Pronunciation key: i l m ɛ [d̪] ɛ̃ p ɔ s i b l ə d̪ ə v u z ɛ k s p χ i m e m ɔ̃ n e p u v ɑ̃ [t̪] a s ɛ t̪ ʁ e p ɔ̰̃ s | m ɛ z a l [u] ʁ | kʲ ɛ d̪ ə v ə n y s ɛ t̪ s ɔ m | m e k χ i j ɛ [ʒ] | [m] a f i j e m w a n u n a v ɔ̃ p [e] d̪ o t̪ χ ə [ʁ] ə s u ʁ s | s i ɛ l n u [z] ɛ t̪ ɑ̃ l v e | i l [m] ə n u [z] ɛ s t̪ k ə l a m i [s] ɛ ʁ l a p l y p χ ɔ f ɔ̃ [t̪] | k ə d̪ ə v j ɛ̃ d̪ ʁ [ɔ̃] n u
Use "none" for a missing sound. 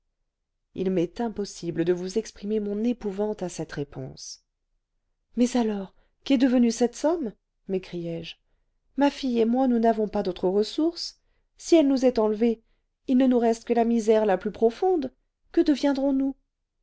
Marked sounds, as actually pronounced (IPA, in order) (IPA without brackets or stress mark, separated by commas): t̪, t̪, ɔ, ʒ, m, a, ʁ, z, n, ʁ, z, d̪, ɔ̃